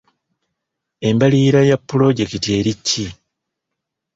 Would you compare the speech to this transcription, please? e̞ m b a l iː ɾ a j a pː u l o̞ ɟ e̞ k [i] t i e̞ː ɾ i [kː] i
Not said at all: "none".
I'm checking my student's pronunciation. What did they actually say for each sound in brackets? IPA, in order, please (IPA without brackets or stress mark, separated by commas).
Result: i, cː